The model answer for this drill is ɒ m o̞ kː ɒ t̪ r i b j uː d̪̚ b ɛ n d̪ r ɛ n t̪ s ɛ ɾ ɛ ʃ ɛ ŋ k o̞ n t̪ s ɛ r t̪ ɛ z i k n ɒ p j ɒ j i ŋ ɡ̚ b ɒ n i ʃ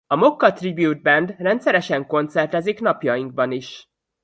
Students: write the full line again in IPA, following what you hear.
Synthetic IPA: ɒ m o̞ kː ɒ t̪ r i b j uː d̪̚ b ɛ n d̪ r ɛ n t̪ s ɛ ɾ ɛ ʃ ɛ ŋ k o̞ n t̪ s ɛ r t̪ ɛ z i k n ɒ p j ɒ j i ŋ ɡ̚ b ɒ n i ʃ